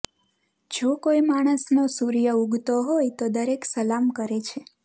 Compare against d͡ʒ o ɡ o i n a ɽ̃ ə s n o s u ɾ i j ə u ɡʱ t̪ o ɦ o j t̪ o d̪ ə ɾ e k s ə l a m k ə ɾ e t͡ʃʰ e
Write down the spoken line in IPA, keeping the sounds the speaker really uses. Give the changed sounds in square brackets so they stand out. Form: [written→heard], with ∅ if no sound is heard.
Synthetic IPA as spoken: d͡ʒ o [ɡ→k] o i [n→m] a ɽ̃ ə s n o s u ɾ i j ə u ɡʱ t̪ o ɦ o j t̪ o d̪ ə ɾ e k s ə l a m k ə ɾ e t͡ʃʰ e